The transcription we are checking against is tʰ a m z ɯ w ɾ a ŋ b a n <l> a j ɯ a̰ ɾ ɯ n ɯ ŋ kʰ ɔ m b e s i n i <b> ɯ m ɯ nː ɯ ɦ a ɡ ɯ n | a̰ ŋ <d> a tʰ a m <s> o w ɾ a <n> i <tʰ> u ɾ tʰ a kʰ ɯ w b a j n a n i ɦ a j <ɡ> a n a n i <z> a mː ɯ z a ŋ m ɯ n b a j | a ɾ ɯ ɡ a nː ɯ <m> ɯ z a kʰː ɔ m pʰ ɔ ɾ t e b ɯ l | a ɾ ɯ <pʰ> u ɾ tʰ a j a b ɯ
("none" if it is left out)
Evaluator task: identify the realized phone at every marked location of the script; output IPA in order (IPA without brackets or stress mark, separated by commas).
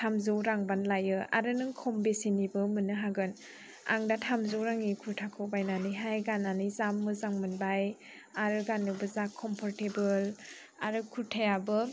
l, b, d, z, ŋ, kʰ, ɡ, z, b, kʰ